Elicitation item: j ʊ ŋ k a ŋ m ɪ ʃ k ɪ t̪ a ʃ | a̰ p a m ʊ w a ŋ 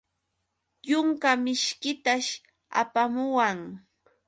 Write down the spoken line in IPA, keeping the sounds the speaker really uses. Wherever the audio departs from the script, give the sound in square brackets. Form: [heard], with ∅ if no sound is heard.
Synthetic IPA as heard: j ʊ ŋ k a [∅] m ɪ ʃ k ɪ t̪ a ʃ | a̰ p a m ʊ w a ŋ